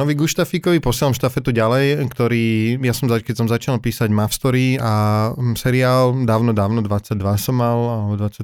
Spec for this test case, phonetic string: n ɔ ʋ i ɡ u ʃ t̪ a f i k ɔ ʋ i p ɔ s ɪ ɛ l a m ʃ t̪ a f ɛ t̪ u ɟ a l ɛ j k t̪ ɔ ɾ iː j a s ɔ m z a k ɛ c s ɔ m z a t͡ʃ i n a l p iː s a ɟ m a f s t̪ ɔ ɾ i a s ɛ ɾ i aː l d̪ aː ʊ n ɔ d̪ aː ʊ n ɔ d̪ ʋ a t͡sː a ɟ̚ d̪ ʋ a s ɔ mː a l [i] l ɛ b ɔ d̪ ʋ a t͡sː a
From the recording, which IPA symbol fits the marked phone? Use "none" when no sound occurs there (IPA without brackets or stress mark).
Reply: a